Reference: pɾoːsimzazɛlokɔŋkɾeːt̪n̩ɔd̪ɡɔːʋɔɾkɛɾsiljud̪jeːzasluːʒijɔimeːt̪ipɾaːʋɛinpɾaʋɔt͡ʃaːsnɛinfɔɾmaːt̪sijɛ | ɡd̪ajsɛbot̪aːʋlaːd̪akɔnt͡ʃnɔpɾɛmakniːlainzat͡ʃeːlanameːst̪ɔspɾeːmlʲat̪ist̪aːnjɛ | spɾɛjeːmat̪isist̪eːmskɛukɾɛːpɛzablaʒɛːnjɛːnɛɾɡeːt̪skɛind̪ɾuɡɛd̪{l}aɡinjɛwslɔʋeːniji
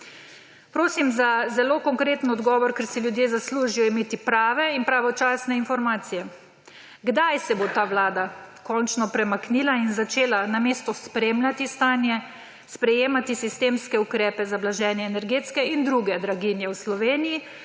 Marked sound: incorrect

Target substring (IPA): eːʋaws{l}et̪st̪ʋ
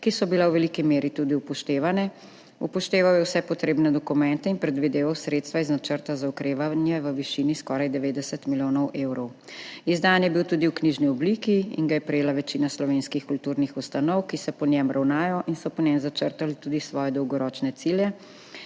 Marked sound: incorrect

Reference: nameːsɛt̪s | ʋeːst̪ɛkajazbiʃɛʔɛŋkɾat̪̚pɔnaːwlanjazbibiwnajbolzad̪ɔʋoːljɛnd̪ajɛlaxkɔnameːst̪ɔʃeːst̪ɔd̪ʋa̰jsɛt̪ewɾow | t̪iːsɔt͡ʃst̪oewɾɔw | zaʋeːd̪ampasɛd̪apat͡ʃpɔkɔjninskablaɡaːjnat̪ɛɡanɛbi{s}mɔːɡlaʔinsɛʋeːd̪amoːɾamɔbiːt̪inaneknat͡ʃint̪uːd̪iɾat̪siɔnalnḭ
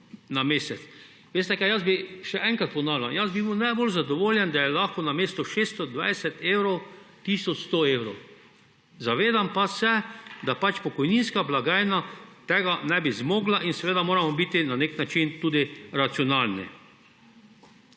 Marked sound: incorrect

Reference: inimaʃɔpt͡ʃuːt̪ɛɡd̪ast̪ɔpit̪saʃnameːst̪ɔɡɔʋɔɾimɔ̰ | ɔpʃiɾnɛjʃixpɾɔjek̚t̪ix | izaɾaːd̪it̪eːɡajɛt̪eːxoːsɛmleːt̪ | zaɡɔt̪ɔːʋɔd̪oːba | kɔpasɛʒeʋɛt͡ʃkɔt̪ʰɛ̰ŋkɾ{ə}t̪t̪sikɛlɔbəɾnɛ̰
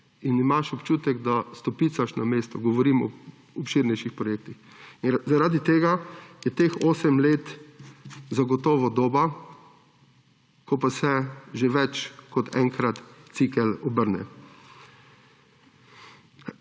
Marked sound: incorrect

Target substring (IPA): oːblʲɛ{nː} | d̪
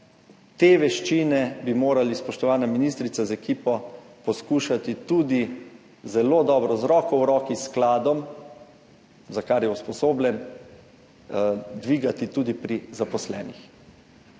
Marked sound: incorrect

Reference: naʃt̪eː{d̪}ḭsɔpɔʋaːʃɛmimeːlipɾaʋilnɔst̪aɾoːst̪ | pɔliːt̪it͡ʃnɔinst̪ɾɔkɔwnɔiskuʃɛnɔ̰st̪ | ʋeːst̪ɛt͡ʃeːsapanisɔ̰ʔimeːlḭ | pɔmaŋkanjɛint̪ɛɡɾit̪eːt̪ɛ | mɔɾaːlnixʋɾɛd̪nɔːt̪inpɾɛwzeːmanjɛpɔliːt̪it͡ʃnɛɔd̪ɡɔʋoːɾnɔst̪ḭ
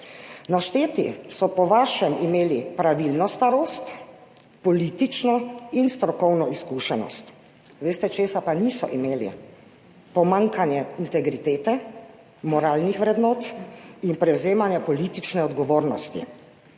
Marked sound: incorrect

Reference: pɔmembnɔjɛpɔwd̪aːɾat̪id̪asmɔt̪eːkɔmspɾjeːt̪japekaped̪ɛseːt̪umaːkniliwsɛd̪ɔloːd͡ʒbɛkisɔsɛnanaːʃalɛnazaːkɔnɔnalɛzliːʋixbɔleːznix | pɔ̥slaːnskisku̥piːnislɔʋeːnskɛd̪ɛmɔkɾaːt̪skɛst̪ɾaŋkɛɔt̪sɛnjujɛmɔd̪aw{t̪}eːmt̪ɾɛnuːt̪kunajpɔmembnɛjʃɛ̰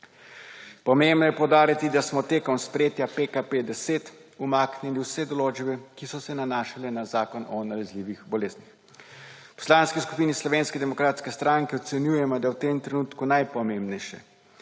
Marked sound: correct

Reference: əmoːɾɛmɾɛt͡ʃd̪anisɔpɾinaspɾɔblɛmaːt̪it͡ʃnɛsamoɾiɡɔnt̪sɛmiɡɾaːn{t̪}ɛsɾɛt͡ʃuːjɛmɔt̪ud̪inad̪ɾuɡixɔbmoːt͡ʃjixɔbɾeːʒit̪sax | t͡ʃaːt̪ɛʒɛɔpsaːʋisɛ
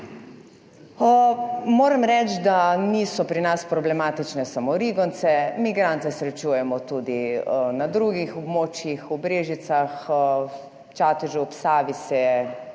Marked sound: correct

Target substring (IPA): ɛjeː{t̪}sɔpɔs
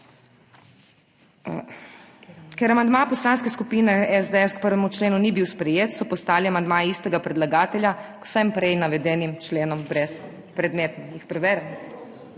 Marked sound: correct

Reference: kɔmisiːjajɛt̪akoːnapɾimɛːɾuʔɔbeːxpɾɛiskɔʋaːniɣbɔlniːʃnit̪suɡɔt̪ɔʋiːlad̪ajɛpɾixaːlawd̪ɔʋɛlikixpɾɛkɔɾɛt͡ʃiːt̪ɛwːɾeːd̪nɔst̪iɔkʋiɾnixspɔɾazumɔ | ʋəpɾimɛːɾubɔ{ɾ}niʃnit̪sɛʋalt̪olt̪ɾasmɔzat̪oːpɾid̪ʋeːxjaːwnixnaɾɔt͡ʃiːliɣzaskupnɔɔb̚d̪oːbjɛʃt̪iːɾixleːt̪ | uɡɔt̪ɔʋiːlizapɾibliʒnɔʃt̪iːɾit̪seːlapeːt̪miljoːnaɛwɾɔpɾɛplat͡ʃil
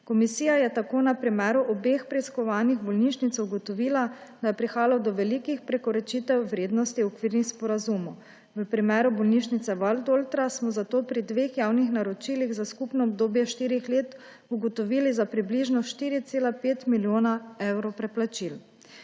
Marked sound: incorrect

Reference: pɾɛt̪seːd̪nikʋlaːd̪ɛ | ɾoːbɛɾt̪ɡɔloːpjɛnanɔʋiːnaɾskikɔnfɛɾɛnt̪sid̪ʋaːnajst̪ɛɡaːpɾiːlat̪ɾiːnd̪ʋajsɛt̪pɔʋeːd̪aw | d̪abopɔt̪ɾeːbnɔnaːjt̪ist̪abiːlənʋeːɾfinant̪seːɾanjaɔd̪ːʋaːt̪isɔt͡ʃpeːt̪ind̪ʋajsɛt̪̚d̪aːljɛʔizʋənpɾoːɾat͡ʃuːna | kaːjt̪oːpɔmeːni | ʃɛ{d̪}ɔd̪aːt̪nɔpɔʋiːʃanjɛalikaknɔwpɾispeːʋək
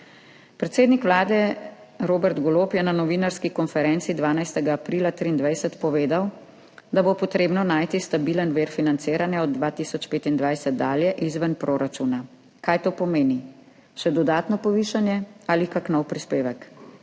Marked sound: correct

